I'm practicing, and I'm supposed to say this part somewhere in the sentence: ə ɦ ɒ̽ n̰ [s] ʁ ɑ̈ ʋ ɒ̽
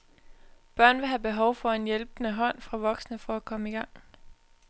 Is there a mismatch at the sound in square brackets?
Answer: yes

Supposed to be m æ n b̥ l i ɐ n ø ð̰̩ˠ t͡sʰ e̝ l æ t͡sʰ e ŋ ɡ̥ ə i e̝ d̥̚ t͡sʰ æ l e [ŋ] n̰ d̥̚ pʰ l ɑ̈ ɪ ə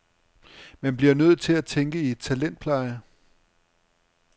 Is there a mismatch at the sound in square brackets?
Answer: yes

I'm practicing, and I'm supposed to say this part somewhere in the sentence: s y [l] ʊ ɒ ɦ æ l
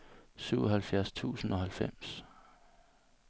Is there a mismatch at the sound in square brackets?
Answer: yes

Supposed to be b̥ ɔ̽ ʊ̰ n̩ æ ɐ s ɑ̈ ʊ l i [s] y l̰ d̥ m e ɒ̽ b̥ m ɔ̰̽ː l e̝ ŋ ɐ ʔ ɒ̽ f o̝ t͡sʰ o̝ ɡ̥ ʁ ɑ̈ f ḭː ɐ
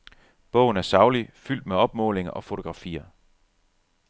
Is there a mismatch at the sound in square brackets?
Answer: yes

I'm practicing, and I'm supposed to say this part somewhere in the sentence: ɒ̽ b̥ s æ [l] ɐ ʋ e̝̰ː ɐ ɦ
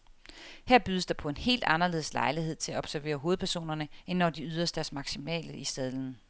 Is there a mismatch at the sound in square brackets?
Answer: yes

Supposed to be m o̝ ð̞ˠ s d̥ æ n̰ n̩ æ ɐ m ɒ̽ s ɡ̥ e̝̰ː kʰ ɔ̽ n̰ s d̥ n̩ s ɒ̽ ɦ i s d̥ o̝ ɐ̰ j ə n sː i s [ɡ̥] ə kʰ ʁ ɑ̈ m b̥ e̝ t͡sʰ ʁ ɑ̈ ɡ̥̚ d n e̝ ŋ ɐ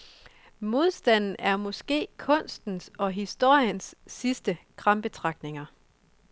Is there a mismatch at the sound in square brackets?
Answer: yes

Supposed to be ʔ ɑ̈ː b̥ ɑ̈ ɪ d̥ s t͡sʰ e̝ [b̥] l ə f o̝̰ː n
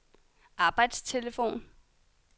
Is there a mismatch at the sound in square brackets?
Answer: yes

